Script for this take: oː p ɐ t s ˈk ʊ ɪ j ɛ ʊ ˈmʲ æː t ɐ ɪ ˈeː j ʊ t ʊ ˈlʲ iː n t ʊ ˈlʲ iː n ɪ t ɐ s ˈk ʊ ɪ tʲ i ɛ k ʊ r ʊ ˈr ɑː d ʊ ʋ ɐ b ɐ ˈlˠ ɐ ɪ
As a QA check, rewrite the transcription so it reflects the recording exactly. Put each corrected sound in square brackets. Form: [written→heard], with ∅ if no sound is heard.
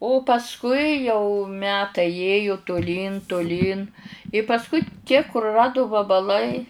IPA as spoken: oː p ɐ [t→∅] s ˈk ʊ ɪ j ɛ ʊ ˈmʲ æː t ɐ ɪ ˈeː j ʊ t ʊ ˈlʲ iː n t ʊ ˈlʲ iː n ɪ [t→p] ɐ s ˈk ʊ ɪ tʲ i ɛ k ʊ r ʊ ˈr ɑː d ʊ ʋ ɐ b ɐ ˈlˠ ɐ ɪ